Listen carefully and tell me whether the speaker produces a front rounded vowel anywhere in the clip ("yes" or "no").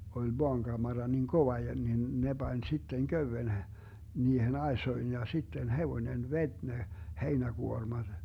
yes